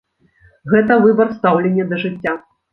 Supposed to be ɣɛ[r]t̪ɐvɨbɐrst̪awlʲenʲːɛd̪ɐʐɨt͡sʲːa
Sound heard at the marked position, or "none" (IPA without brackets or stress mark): none